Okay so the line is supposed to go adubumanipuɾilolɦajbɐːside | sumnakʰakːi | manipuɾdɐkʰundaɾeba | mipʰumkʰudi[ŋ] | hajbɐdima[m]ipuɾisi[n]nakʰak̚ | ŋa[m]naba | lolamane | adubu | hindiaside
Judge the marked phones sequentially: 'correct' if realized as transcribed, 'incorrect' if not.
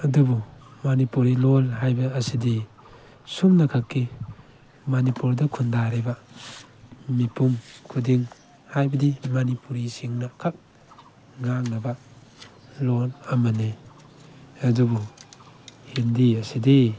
correct, incorrect: n, incorrect: ŋ, incorrect: ŋ

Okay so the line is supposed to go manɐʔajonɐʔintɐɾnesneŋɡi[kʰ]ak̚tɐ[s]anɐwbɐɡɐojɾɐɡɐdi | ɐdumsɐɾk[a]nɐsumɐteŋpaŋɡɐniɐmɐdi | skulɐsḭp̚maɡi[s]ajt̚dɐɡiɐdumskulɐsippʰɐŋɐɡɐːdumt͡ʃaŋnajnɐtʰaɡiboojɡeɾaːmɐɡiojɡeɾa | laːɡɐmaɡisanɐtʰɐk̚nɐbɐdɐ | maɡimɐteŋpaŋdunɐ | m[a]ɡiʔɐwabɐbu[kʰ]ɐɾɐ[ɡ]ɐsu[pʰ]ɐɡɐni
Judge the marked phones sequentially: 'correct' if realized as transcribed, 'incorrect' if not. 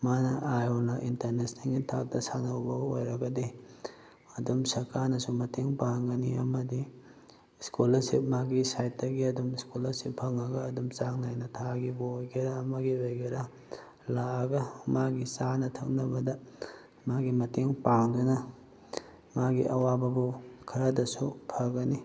incorrect: tʰ, correct, correct, correct, correct, correct, incorrect: d, correct

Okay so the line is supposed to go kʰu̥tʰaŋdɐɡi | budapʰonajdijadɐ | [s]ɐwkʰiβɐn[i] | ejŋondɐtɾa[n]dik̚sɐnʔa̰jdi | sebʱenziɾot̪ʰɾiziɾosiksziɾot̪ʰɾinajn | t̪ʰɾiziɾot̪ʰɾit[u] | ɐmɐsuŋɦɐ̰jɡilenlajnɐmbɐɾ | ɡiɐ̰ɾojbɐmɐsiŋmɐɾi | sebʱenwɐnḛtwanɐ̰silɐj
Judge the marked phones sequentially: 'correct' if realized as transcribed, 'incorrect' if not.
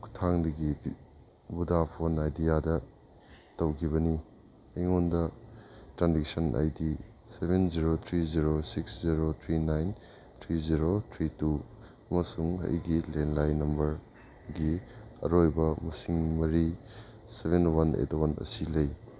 incorrect: t, correct, correct, correct

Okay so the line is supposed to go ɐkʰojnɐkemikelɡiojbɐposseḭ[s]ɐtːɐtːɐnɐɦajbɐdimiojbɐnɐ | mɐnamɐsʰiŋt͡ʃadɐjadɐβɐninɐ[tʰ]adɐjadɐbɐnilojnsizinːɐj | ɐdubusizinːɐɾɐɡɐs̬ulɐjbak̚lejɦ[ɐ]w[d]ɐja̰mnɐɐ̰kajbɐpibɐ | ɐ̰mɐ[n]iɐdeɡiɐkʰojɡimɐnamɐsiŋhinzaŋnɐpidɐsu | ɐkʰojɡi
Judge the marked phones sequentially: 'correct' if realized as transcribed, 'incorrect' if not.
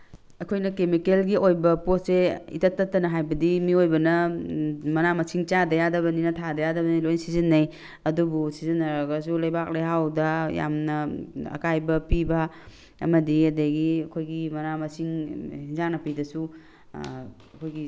incorrect: t, correct, incorrect: a, correct, incorrect: d

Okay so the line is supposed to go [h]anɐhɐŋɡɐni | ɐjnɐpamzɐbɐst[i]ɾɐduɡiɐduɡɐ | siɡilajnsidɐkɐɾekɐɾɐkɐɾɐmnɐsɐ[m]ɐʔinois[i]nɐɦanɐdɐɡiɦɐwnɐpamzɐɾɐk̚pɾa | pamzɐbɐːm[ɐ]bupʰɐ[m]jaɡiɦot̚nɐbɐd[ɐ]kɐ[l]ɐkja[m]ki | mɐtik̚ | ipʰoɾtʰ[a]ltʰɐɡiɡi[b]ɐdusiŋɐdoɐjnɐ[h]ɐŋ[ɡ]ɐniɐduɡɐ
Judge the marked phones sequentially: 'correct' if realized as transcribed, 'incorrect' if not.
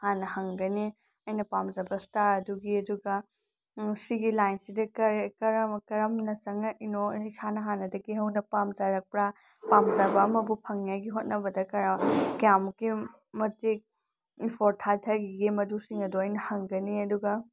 correct, incorrect: a, incorrect: ŋ, incorrect: a, correct, incorrect: ŋ, correct, incorrect: ɾ, correct, correct, incorrect: m, correct, correct

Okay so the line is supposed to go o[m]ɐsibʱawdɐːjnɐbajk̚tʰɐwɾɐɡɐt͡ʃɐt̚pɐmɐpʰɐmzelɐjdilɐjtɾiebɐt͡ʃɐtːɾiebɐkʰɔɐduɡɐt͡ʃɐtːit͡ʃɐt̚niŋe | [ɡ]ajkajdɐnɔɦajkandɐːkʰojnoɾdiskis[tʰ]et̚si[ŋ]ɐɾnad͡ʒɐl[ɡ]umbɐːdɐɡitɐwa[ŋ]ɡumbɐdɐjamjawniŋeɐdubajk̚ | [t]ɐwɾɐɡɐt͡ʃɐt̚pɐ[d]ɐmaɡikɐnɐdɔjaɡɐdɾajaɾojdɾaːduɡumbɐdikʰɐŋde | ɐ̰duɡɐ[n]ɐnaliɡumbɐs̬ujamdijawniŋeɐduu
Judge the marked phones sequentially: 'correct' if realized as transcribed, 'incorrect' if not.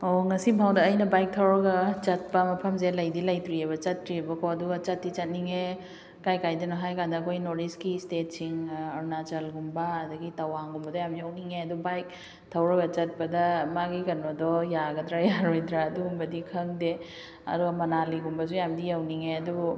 incorrect: ŋ, incorrect: k, incorrect: t, correct, correct, correct, incorrect: tʰ, correct, incorrect: m

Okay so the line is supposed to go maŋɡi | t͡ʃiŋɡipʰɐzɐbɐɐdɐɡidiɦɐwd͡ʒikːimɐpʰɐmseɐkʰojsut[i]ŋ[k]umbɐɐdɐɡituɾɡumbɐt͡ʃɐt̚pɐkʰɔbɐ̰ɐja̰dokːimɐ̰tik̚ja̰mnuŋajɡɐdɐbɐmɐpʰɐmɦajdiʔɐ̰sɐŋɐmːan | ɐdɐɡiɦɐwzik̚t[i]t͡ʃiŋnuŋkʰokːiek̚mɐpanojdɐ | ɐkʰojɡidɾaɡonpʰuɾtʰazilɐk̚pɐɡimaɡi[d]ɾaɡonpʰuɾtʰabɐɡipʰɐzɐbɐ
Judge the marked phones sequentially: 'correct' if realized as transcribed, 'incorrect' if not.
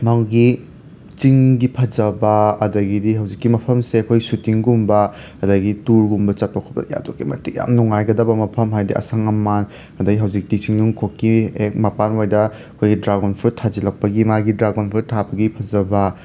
correct, incorrect: ɡ, correct, correct

